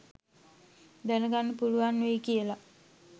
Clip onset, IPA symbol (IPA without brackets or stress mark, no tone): d̪